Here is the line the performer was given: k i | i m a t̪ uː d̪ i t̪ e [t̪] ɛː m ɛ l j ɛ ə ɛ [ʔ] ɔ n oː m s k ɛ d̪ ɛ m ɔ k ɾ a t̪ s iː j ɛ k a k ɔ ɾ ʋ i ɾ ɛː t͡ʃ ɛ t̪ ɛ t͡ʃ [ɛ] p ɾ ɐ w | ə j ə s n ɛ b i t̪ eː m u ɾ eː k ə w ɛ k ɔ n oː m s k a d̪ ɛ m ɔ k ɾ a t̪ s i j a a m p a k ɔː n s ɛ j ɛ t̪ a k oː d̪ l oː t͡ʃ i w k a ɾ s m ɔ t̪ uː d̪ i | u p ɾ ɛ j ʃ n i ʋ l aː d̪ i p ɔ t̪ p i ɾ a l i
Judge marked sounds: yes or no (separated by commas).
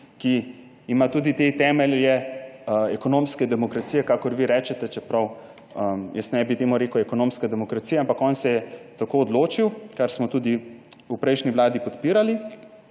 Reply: yes, no, yes